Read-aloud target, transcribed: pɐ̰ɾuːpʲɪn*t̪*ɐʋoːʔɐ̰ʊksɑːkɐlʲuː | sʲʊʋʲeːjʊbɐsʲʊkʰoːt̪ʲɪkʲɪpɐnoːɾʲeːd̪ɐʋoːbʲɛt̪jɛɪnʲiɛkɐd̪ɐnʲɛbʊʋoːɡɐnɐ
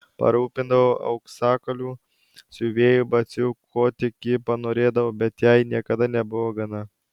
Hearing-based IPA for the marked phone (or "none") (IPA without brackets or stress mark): d̪